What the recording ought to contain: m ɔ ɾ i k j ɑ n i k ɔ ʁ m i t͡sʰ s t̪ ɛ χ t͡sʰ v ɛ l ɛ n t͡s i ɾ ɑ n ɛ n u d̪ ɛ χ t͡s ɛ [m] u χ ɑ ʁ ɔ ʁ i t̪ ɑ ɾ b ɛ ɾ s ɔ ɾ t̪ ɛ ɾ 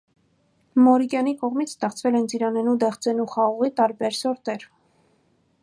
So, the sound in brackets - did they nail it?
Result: no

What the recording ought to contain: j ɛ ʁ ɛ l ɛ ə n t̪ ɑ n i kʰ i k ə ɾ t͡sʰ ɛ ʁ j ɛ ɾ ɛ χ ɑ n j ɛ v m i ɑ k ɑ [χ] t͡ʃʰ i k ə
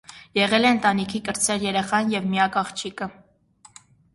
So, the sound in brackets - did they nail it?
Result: yes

